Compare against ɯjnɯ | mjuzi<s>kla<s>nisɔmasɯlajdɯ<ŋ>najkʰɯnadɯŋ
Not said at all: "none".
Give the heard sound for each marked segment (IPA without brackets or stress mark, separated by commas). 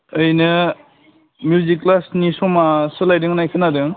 none, s, ŋ